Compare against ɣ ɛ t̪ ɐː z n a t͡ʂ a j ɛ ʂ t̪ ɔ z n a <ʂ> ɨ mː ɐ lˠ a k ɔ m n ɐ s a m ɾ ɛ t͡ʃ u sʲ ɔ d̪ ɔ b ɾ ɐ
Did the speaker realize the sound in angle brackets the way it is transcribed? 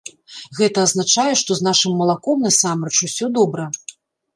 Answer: yes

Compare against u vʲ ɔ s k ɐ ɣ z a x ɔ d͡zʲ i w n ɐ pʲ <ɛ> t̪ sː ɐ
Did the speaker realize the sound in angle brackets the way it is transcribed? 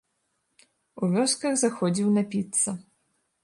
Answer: no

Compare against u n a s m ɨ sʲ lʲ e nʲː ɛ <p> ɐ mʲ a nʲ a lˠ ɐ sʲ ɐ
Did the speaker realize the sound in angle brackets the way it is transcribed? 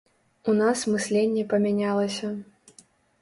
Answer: yes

